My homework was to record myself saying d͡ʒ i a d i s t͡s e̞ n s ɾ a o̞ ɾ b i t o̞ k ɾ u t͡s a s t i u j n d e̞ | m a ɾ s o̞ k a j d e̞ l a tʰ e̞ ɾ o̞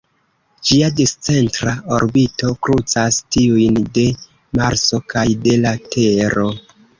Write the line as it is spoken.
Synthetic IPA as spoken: d͡ʒ i a d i s t͡s e̞ n t ɾ a o̞ ɾ b i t o̞ k ɾ u t͡s a s t i u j n d e̞ | m a ɾ s o̞ k a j d e̞ l a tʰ e̞ ɾ o̞

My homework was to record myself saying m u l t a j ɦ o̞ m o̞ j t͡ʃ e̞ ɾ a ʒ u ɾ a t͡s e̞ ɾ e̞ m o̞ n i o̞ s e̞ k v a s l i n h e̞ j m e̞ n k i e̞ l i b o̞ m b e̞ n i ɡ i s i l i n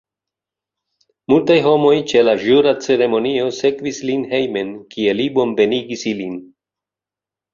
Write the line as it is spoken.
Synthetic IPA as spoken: m u l t a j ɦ o̞ m o̞ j t͡ʃ e̞ l a ʒ u ɾ a t͡s e̞ ɾ e̞ m o̞ n i o̞ s e̞ k v i s l i n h e̞ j m e̞ n k i e̞ l i b o̞ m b e̞ n i ɡ i s i l i n

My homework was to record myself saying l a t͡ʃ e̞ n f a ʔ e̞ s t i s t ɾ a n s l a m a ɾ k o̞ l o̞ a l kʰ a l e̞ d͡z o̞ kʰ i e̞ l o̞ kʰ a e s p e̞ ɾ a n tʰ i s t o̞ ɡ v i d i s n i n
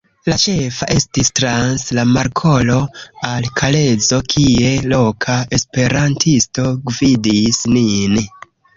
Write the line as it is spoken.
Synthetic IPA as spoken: l a t͡ʃ e̞ f a ʔ e̞ s t i s t ɾ a n s l a m a ɾ kʰ o̞ l o̞ a l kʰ a l e̞ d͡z o̞ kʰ i e̞ l o̞ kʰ a e s p e̞ ɾ a n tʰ i s t o̞ ɡ v i d i s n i n

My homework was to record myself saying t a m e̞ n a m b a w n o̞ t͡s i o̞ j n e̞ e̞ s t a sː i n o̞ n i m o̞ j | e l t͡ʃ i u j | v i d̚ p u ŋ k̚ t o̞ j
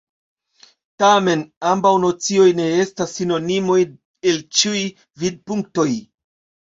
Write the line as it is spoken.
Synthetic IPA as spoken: t a m e̞ n a m b a w n o̞ t͡s i o̞ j n e̞ e̞ s t a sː i n o̞ n i m o̞ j | e l t͡ʃ i u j | v i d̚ p u ŋ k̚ t o̞ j

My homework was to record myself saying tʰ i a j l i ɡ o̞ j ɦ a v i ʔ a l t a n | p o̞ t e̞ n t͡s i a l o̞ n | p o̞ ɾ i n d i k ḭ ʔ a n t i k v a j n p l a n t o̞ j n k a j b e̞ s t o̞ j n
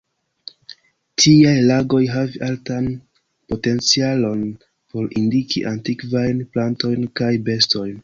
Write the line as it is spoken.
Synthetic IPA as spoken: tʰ i a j l a ɡ o̞ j ɦ a v i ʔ a l t a n | p o̞ t e̞ n t͡s i a l o̞ n | p o̞ ɾ i n d i k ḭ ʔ a n t i k v a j n p l a n t o̞ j n k a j b e̞ s t o̞ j n

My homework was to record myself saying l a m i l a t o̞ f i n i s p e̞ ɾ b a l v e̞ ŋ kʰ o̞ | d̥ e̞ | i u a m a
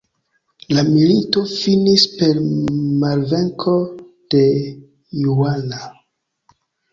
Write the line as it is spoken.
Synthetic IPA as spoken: l a m i l i t o̞ f i n i s p e̞ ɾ m a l v e̞ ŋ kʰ o̞ | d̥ e̞ | j u a n a

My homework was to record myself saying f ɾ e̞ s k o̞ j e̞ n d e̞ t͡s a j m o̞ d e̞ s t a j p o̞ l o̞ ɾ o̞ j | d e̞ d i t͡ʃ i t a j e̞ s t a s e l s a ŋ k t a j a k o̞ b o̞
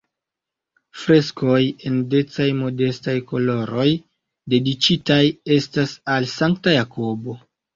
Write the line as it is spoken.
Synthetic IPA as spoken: f ɾ e̞ s k o̞ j e̞ n d e̞ t͡s a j m o̞ d e̞ s t a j k o̞ l o̞ ɾ o̞ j | d e̞ d i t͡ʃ i t a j e̞ s t a s a l s a ŋ k t a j a k o̞ b o̞

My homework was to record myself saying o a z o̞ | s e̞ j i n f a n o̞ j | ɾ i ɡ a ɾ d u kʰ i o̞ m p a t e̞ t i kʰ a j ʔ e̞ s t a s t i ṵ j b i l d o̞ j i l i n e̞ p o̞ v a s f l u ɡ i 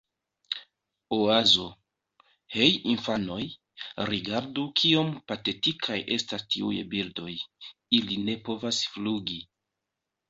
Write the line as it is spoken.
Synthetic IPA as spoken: o a z o̞ | h e̞ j i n f a n o̞ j | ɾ i ɡ a ɾ d u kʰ i o̞ m p a t e̞ t i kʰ a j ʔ e̞ s t a s t i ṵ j b i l d o̞ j i l i n e̞ p o̞ v a s f l u ɡ i

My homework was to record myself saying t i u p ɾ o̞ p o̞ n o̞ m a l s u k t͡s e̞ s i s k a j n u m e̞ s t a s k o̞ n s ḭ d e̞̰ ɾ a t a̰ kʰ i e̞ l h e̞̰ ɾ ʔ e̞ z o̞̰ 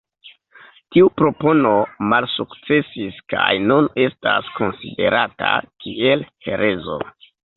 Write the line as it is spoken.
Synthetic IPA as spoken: t i u p ɾ o̞ p o̞ n o̞ m a l s u k t͡s e̞ s i s k a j n u n e̞ s t a s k o̞ n s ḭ d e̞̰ ɾ a t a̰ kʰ i e̞ l h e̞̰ ɾ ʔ e̞ z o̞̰

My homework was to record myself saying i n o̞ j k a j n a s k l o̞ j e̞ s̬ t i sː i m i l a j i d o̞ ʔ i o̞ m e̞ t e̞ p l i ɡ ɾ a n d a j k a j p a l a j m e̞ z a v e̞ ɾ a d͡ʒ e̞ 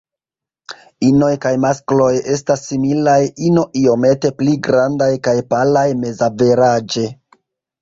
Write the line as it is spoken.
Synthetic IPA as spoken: i n o̞ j k a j m a s k l o̞ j e̞ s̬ t a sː i m i l a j i n o̞ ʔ i o̞ m e̞ t e̞ p l i ɡ ɾ a n d a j k a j p a l a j m e̞ z a v e̞ ɾ a d͡ʒ e̞

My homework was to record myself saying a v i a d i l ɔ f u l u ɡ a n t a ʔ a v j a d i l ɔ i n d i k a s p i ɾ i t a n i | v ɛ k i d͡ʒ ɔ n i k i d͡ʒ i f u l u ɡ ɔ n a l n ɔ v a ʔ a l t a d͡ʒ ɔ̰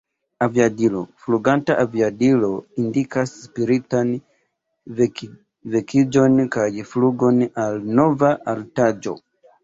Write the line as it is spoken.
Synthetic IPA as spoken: a v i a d i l ɔ f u l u ɡ a n t a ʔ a v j a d i l ɔ i n d i k a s p i ɾ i t a n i | v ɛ k i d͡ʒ ɔ n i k a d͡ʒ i f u l u ɡ ɔ n a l n ɔ v a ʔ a l t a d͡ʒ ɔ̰

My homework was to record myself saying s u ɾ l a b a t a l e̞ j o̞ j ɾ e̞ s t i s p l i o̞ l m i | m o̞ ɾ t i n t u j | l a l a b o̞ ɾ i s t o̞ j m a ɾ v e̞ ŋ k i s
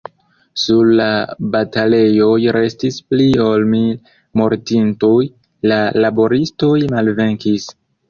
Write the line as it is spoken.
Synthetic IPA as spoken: s u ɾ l a b a t a l e̞ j o̞ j ɾ e̞ s t i s p l i o̞ l m i | m o̞ ɾ t i n t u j | l a l a b o̞ ɾ i s t o̞ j m a l v e̞ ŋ k i s

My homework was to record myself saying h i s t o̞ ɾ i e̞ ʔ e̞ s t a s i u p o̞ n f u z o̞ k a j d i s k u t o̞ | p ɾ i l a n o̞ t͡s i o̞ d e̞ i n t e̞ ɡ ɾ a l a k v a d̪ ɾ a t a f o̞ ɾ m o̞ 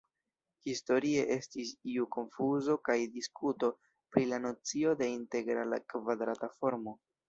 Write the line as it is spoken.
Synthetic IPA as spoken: h i s t o̞ ɾ i e̞ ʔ e̞ s t i s i u k o̞ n f u z o̞ k a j d i s k u t o̞ | p ɾ i l a n o̞ t͡s i o̞ d e̞ i n t e̞ ɡ ɾ a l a k v a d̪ ɾ a t a f o̞ ɾ m o̞

